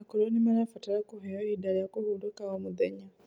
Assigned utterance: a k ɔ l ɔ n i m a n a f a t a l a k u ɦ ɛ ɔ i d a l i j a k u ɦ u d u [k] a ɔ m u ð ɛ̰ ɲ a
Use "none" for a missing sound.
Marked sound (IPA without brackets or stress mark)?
k